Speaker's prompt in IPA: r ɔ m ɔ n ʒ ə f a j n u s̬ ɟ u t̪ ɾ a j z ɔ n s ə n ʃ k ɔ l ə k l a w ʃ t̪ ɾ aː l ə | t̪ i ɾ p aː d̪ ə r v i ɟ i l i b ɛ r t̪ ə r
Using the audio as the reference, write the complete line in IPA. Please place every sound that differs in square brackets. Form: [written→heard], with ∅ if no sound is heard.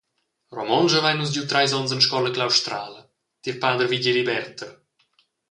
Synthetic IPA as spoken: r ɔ m ɔ n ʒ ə [f→v] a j n u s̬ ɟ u t̪ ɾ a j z ɔ n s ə n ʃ k ɔ l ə k l a w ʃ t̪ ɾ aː l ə | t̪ i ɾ p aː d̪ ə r v i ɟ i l i b ɛ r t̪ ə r